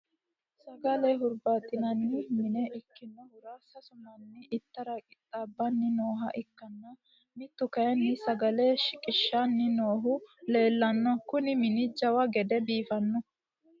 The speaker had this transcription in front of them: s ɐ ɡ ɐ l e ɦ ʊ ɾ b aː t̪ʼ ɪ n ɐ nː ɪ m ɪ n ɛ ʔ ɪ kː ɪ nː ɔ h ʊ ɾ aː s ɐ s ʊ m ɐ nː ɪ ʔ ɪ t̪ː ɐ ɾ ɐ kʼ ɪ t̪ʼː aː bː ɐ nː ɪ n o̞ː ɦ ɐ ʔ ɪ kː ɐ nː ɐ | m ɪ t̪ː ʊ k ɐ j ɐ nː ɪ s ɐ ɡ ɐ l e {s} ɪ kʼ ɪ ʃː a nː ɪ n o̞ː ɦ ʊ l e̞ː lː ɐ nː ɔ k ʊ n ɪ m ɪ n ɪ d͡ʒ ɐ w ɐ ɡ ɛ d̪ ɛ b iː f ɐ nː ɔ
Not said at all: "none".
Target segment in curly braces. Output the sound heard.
ʃ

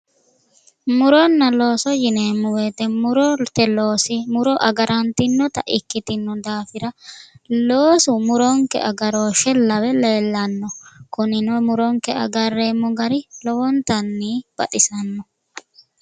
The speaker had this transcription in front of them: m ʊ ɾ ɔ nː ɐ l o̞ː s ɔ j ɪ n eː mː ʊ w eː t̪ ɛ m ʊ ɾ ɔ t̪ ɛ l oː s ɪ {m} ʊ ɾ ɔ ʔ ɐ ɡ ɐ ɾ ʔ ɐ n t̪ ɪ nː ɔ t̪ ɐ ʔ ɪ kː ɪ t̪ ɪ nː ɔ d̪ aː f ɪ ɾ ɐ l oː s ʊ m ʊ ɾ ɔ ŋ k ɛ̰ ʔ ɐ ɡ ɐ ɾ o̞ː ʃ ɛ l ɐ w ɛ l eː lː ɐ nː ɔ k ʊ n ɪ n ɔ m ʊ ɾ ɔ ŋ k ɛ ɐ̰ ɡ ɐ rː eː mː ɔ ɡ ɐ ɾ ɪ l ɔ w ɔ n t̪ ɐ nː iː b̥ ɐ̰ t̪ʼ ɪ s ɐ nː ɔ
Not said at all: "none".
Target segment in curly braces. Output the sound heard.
m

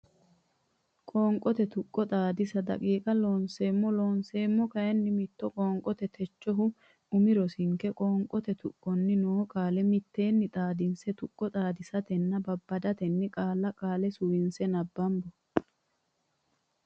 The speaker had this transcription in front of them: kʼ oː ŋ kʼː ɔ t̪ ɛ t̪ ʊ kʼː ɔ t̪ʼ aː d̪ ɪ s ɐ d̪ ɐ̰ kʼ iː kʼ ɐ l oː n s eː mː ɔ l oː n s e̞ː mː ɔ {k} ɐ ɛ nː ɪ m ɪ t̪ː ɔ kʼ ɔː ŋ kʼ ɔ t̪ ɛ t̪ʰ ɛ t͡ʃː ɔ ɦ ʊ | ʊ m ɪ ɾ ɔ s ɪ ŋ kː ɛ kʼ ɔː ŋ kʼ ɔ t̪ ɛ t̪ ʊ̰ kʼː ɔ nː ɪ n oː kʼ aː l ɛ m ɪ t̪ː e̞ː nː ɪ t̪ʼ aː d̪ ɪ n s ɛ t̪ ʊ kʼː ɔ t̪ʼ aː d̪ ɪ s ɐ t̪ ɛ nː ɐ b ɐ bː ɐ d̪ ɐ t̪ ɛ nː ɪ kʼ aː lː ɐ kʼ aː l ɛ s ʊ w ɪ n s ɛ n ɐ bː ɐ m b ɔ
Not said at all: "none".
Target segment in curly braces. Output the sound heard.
k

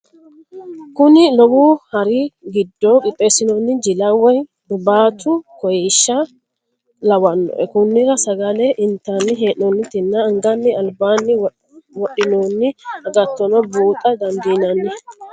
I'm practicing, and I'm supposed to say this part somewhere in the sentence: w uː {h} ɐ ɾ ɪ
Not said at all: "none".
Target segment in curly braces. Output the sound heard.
h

